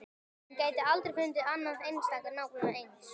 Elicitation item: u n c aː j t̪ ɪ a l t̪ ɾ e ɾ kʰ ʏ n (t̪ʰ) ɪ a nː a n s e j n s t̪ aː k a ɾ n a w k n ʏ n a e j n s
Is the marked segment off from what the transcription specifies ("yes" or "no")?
yes